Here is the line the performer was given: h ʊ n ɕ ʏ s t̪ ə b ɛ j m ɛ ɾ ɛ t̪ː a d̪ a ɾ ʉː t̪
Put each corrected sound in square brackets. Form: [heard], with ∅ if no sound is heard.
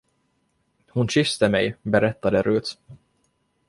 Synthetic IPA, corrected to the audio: h ʊ n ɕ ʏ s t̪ ə [m] ɛ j [b] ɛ ɾ ɛ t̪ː a d̪ [ə] ɾ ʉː t̪